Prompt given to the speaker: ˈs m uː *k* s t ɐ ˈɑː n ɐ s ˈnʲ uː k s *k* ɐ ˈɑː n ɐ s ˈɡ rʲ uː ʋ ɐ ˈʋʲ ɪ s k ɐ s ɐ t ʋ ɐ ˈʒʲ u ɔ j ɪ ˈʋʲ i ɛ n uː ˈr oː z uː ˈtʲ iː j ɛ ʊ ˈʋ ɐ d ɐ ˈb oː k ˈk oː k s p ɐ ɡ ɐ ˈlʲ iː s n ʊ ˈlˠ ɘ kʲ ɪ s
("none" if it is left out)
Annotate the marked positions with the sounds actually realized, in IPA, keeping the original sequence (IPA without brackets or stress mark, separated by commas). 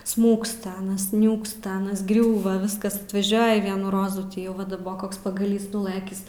k, t